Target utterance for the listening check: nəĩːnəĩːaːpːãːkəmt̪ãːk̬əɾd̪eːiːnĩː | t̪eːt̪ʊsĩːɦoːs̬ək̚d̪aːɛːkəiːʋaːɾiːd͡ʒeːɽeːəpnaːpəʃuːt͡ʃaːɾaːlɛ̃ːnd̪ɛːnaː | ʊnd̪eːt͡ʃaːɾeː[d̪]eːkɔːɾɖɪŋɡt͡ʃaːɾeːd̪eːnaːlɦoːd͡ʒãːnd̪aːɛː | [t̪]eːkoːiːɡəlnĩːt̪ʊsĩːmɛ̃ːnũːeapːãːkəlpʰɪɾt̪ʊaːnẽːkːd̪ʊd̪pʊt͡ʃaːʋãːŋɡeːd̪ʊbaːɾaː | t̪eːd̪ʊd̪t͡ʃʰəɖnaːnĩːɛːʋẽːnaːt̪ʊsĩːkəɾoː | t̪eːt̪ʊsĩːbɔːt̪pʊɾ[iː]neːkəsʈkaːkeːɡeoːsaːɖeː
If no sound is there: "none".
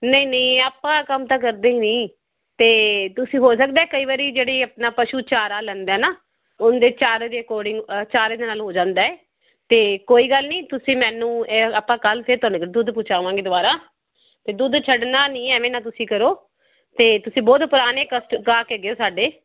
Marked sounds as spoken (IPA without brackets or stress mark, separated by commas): d̪, t̪, aː